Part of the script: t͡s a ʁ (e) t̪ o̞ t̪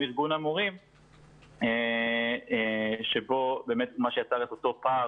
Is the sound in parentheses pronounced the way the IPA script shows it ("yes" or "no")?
yes